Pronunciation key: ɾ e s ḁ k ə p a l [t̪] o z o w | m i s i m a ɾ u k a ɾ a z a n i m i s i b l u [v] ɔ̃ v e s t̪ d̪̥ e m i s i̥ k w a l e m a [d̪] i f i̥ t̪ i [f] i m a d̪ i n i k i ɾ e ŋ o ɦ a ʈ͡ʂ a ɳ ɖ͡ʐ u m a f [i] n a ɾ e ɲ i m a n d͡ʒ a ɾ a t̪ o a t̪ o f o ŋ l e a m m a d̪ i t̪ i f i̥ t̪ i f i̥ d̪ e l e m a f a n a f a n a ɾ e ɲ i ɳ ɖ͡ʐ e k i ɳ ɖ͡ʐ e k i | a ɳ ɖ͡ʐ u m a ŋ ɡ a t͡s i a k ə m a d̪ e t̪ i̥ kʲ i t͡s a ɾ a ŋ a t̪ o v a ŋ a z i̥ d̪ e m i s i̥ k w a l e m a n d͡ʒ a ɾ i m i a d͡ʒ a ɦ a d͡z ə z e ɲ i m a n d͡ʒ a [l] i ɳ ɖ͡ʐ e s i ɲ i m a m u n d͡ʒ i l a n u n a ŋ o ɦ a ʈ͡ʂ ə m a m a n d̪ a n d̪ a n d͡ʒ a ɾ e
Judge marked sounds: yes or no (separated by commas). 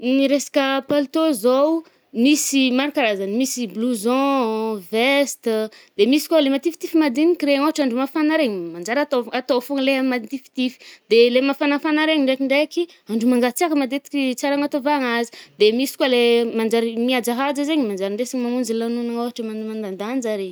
yes, no, no, yes, no, no